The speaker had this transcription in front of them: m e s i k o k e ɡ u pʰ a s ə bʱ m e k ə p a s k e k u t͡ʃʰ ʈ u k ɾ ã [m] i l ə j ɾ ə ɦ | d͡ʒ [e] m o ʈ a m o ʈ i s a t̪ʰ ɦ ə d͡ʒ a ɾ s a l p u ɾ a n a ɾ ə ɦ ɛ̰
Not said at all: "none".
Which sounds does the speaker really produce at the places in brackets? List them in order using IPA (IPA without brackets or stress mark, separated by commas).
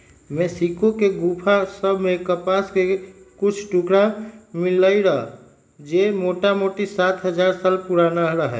m, e